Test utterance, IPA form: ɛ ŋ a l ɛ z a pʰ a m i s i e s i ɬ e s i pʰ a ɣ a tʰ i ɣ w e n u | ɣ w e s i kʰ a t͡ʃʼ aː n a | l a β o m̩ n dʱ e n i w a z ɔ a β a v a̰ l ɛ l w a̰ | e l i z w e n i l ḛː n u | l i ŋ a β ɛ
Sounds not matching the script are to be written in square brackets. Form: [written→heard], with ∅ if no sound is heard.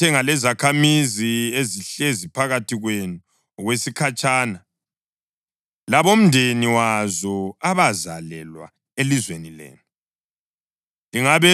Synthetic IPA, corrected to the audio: ɛ ŋ a l ɛ z a [pʰ→kʰ] a m i [s→z] i e [s→z] i ɬ e [s→z] i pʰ a ɣ a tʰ i ɣ w e n u | ɣ w e s i kʰ a t͡ʃʼ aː n a | l a β o m̩ n dʱ e n i w a z ɔ a β a [v→z] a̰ l ɛ l w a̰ | e l i z w e n i l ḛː n u | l i ŋ a β ɛ

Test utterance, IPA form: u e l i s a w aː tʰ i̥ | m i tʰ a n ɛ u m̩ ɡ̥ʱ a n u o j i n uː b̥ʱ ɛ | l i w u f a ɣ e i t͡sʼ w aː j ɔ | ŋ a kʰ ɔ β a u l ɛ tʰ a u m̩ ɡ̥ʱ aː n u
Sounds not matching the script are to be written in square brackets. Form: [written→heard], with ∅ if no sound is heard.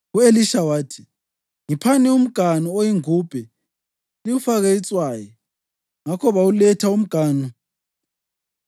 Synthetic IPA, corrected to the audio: u e l i [s→ʃ] a w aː tʰ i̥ | [m→ŋ] i [tʰ→pʰ] a n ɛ u m̩ ɡ̥ʱ a n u o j i [n→ŋ] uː b̥ʱ ɛ | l i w u f a ɣ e i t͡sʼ w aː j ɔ | ŋ a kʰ ɔ β a u l ɛ tʰ a u m̩ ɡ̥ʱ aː n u

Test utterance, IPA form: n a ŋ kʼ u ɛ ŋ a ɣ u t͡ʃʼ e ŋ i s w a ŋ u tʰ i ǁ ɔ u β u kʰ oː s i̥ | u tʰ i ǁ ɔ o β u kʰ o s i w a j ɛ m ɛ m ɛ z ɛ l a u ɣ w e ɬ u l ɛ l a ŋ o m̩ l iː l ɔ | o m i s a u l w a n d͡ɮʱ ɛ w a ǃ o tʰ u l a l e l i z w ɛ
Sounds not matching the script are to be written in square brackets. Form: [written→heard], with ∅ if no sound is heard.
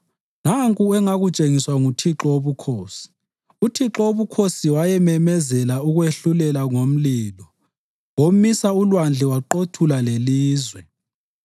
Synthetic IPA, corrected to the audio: n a ŋ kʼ u ɛ ŋ a ɣ u t͡ʃʼ e ŋ i s w a ŋ u tʰ i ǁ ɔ [u→o] β u kʰ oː s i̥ | u tʰ i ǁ ɔ o β u kʰ o s i w a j ɛ m ɛ m ɛ z ɛ l a u ɣ w e ɬ u l ɛ l a ŋ o m̩ l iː l ɔ | o m i s a u l w a n d͡ɮʱ ɛ w a ǃ o tʰ u l a l e l [i→iː] z w ɛ

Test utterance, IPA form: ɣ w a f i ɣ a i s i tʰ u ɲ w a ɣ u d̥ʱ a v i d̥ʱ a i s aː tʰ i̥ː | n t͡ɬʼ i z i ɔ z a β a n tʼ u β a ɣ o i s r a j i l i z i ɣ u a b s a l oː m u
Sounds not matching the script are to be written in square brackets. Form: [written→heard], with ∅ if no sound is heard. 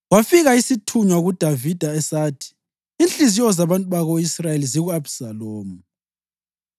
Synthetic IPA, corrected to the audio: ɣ w a f i ɣ a i s i tʰ u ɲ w a ɣ u d̥ʱ a v i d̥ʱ a [i→ɛ] s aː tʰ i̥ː | n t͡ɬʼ i z i ɔ z a β a n tʼ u β a ɣ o i s r a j [i→e] l i z i ɣ u a b s a l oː m u

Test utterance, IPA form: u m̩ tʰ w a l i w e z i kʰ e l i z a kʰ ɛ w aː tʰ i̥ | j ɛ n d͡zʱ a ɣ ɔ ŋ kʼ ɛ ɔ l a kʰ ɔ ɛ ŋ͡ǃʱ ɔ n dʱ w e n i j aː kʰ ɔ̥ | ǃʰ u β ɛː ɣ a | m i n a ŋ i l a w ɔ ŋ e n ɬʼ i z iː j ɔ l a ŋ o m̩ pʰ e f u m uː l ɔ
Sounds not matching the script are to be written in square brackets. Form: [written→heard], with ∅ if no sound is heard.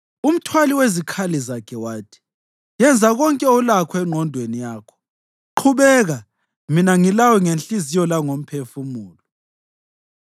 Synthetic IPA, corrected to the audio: u m̩ tʰ w a l i w e z i kʰ [e→a] l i z a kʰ ɛ w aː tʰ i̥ | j ɛ n d͡zʱ a ɣ ɔ ŋ kʼ ɛ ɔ l a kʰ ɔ ɛ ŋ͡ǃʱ ɔ n dʱ w e n i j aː kʰ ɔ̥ | ǃʰ u β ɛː ɣ a | m i n a ŋ i l a w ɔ ŋ e n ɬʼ i z [iː→i] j ɔ l a ŋ o m̩ pʰ e f u m uː l ɔ

